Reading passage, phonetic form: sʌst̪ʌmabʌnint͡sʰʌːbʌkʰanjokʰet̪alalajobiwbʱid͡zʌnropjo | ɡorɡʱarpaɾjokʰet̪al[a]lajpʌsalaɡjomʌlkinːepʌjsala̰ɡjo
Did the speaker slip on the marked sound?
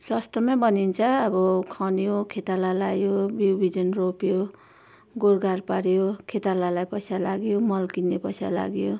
no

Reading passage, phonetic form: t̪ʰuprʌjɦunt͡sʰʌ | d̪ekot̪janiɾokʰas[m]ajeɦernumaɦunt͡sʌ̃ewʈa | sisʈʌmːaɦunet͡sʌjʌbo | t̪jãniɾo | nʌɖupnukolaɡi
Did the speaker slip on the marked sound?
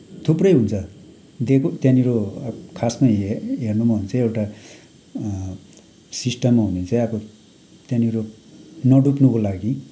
no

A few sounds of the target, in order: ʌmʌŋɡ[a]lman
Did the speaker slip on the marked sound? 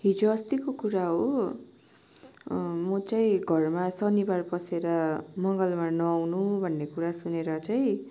yes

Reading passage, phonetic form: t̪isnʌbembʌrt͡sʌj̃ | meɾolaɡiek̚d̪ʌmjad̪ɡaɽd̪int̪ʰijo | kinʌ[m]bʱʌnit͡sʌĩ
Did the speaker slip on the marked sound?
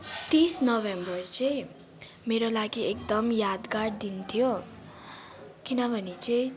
yes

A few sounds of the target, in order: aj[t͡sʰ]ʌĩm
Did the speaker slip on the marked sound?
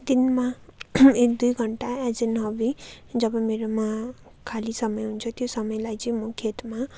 yes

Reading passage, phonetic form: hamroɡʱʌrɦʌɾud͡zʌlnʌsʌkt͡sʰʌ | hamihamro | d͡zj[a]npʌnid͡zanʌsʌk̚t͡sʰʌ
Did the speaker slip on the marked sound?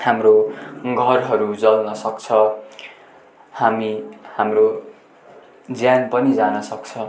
no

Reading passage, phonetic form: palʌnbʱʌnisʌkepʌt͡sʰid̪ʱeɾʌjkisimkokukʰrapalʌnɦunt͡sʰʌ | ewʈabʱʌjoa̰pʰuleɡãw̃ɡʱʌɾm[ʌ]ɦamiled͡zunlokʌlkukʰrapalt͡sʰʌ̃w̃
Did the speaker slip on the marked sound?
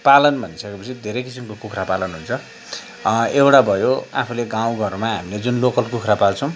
yes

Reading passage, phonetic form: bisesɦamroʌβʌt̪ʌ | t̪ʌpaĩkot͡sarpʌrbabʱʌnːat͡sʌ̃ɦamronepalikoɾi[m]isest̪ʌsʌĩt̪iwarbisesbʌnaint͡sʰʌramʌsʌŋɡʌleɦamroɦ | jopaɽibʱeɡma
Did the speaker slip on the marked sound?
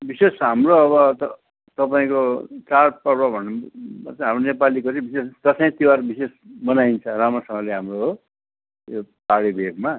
yes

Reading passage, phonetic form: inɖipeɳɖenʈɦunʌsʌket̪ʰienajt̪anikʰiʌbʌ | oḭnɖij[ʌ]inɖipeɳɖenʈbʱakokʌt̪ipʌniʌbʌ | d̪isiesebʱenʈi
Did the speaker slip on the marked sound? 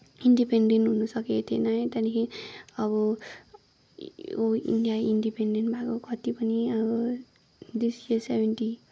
yes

